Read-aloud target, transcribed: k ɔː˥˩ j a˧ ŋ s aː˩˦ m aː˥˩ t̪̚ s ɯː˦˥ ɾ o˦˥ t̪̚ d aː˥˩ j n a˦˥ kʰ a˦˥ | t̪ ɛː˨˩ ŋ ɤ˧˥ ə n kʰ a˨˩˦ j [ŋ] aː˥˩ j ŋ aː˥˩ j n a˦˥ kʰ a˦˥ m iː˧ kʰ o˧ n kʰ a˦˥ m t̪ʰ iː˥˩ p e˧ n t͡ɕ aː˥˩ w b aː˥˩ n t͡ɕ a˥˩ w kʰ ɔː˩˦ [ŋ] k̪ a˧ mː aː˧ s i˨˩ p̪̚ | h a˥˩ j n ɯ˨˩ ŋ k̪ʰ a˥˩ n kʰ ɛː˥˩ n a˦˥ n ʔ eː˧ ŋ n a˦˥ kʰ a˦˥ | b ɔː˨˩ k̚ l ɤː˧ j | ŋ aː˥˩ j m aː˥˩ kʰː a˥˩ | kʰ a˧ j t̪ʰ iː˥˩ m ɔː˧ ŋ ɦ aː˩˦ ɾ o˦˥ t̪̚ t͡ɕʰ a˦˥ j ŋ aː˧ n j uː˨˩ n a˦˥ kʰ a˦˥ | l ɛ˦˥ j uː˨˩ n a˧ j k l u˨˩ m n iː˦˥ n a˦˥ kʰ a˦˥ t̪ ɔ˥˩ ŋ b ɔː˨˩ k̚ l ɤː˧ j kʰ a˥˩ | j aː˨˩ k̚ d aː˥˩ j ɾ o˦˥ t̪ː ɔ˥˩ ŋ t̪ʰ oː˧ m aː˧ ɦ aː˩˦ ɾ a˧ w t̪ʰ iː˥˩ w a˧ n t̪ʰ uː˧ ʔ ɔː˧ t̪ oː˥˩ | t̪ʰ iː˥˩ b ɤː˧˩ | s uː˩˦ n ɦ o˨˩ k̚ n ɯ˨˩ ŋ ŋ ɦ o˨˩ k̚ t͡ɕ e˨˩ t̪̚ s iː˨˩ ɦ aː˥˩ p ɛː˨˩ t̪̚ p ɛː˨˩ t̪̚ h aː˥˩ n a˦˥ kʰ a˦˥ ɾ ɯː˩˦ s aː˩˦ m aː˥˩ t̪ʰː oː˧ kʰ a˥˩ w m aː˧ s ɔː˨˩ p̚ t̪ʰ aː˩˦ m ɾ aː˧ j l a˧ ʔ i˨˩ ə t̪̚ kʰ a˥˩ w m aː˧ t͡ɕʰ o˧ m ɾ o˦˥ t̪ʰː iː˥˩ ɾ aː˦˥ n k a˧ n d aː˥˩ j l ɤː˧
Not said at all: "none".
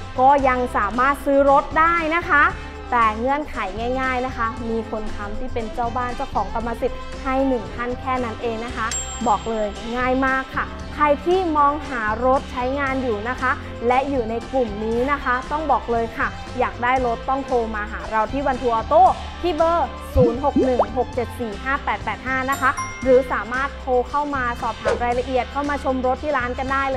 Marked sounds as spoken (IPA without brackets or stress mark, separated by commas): ŋ, ŋ